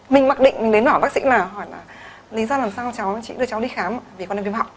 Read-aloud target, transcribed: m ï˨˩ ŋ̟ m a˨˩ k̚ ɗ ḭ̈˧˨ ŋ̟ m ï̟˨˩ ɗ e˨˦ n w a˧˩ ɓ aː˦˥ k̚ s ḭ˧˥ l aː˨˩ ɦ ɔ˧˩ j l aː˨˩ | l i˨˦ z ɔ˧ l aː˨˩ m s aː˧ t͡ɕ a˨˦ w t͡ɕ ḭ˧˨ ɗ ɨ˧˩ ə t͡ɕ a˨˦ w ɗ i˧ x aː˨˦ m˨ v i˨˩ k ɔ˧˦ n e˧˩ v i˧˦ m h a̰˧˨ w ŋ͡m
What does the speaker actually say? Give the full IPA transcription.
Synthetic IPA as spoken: m ï˨˩ ŋ̟ m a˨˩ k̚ ɗ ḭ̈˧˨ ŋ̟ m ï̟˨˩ ɗ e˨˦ n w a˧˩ ɓ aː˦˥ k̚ s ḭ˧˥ l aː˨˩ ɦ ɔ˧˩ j l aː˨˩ | l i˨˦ z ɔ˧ l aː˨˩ m s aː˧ t͡ɕ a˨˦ w t͡ɕ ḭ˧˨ ɗ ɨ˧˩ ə t͡ɕ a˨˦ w ɗ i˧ x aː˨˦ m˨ v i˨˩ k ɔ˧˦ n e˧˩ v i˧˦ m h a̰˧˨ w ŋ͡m